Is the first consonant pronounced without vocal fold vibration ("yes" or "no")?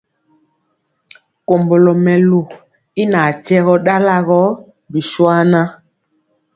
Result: yes